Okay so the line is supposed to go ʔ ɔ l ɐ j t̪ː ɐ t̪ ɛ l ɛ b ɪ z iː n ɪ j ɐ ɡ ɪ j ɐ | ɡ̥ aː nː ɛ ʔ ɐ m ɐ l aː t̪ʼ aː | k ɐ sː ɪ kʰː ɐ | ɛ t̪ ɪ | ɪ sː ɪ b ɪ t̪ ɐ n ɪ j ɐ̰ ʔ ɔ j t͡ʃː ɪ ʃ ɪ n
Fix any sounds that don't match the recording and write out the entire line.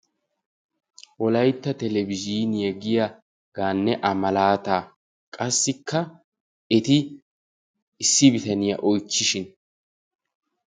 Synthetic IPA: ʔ ɔ l ɐ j t̪ː ɐ t̪ ɛ l ɛ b ɪ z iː n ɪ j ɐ ɡ ɪ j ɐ | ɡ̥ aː nː ɛ ʔ ɐ m ɐ l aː t̪ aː | kʼ ɐ sː ɪ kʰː ɐ | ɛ t̪ ɪ | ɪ sː ɪ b ɪ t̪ ɐ n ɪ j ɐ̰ ʔ ɔ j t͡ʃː ɪ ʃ ɪ n